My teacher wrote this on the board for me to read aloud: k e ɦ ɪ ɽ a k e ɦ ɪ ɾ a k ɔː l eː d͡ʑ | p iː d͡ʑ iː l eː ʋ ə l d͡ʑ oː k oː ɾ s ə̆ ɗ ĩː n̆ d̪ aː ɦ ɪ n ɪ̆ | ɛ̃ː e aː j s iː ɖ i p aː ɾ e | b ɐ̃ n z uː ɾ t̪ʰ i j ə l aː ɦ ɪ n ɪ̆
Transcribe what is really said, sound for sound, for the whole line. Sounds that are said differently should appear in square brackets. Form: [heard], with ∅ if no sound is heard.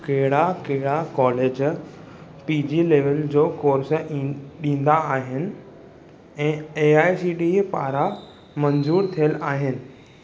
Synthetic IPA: k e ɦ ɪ ɽ a k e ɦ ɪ [ɽ] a k ɔː l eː d͡ʑ | p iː d͡ʑ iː l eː ʋ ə l d͡ʑ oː k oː ɾ s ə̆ ɗ ĩː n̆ d̪ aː ɦ ɪ n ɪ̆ | ɛ̃ː e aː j s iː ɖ i p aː ɾ [a] | [m] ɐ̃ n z uː ɾ t̪ʰ i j ə l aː ɦ ɪ n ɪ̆